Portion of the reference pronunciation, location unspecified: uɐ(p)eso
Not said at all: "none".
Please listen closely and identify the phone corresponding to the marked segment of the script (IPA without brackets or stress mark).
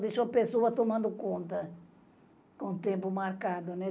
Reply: p